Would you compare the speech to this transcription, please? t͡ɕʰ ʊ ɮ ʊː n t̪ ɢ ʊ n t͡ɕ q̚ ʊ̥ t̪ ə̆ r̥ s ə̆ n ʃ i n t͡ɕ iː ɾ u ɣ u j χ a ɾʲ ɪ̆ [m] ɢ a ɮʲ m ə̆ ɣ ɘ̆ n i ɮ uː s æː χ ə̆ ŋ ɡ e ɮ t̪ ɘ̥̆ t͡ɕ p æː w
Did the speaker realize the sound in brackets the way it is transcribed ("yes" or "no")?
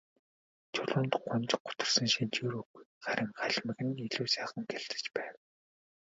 no